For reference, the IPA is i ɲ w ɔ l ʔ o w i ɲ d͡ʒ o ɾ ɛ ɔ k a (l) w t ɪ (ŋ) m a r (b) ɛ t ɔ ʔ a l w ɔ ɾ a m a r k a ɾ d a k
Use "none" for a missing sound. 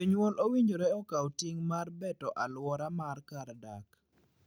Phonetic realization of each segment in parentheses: none, ŋ, b

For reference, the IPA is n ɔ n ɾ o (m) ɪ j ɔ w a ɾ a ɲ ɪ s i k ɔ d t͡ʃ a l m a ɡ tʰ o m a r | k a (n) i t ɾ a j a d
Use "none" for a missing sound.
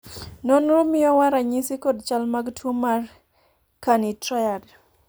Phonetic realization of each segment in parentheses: m, n

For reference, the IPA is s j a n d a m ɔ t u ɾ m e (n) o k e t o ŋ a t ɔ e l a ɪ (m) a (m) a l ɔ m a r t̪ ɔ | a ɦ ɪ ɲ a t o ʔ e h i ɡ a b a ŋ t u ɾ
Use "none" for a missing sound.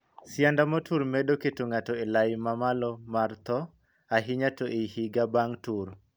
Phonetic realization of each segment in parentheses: d, m, m

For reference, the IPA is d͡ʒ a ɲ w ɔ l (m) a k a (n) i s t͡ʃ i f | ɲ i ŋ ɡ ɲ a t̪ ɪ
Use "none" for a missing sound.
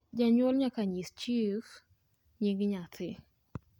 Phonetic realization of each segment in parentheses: ɲ, ɲ

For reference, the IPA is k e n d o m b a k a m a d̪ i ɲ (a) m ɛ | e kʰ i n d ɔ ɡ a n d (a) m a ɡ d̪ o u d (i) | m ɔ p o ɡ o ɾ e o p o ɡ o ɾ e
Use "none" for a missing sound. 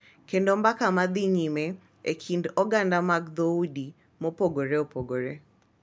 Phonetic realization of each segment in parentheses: i, a, i

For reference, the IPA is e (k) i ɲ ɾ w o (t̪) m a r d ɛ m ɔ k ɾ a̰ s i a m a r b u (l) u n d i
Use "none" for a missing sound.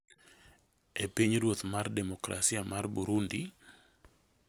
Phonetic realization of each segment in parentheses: p, t̪, ɾ

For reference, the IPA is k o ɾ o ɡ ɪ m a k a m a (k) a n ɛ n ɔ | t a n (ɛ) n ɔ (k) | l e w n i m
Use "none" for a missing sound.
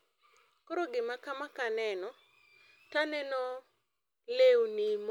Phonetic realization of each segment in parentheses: k, ɛ, none

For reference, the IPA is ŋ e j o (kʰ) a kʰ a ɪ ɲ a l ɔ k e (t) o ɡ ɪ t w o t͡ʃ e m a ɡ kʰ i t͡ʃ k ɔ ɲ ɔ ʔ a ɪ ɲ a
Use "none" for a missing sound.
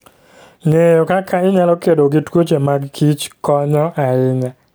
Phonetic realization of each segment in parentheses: k, d

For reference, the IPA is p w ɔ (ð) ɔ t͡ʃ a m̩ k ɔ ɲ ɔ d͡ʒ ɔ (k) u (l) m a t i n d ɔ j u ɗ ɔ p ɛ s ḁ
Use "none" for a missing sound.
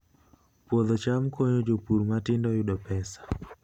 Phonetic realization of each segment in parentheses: ð, p, ɾ

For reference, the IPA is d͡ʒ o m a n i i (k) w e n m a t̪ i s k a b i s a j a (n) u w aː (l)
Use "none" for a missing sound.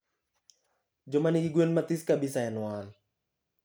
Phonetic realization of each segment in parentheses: ɡ, n, l

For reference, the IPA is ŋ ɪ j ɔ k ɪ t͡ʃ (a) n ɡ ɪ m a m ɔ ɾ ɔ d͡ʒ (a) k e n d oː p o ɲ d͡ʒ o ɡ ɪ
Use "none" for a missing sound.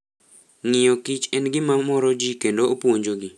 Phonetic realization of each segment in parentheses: ɛ, i

